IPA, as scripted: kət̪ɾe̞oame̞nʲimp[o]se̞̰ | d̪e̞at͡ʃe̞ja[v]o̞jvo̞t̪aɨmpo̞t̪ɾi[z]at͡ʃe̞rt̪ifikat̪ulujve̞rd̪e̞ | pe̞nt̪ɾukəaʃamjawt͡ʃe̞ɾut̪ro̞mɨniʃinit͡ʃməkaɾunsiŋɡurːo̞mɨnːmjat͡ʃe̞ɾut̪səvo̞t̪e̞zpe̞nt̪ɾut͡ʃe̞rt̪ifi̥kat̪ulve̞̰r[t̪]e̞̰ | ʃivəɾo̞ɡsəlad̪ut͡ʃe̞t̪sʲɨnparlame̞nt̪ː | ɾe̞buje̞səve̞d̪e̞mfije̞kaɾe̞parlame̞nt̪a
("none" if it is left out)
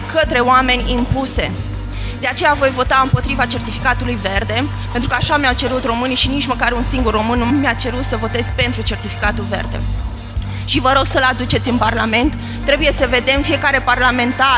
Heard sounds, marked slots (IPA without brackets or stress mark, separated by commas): u, v, v, d̪